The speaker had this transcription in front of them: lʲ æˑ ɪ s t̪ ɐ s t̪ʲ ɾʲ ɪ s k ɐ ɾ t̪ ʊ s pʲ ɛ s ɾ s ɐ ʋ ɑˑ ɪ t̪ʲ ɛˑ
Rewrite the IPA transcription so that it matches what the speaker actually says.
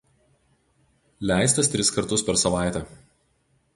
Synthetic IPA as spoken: lʲ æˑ ɪ s t̪ ɐ s t̪ʲ ɾʲ ɪ s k ɐ ɾ t̪ ʊ s pʲ ɛ ɾ s ɐ ʋ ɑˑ ɪ t̪ʲ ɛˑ